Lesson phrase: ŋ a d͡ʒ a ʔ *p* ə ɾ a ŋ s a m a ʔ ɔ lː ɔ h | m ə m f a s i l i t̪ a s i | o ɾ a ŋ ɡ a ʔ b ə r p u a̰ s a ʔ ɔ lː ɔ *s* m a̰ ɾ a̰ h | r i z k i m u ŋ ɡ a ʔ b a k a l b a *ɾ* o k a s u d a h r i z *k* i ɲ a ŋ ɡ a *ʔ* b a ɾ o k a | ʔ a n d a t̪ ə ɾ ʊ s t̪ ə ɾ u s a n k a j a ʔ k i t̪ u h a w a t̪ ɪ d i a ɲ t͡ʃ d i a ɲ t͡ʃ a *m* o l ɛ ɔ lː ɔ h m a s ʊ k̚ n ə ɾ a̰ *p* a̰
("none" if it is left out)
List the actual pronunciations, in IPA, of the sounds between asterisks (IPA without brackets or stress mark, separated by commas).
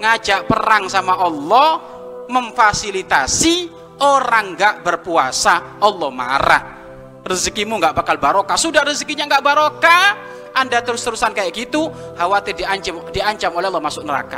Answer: p, h, ɾ, k, ʔ, m, k